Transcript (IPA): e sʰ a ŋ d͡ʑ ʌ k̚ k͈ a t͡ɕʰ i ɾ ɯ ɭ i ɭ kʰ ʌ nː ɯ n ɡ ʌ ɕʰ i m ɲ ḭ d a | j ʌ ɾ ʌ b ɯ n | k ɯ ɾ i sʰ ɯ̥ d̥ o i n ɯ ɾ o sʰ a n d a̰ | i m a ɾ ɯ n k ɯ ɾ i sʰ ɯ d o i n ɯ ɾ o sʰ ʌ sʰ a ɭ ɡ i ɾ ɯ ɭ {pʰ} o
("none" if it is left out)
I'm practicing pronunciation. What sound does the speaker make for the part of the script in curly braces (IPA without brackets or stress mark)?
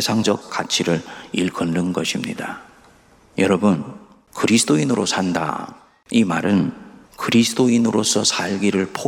pʰ